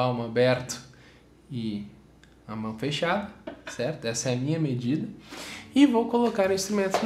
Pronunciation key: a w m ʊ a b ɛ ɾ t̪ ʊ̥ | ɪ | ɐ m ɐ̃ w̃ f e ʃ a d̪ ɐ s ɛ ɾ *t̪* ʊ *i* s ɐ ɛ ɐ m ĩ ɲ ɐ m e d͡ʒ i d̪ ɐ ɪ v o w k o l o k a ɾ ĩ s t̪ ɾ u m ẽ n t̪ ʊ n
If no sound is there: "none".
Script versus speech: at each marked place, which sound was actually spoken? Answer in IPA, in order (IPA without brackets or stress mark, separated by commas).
t̪, ɛ